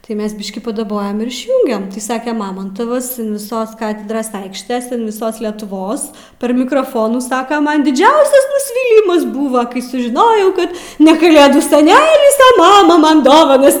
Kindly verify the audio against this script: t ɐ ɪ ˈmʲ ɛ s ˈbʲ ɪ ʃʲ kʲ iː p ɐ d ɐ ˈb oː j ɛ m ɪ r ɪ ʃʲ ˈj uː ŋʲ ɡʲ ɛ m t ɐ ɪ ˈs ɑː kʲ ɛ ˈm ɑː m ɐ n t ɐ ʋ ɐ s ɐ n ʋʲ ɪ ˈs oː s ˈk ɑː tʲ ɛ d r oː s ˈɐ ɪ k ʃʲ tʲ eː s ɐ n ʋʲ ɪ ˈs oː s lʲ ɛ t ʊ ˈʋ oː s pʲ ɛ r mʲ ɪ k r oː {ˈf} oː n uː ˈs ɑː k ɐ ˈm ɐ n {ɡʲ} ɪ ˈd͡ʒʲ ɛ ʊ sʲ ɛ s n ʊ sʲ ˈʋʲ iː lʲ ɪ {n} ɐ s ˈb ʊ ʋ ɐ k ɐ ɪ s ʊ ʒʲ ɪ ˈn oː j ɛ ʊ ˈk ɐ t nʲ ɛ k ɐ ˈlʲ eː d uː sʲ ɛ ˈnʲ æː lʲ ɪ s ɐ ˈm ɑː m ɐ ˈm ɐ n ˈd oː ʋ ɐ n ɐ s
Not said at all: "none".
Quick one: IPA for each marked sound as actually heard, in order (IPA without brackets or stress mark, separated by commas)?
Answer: f, dʲ, m